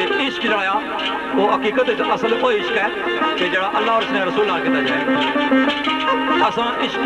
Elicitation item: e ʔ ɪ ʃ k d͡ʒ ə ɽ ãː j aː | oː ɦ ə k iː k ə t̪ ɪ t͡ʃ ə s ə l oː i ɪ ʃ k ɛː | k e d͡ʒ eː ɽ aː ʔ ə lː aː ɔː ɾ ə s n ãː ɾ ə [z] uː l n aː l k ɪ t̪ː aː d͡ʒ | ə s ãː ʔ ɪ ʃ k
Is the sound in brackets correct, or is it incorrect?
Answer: incorrect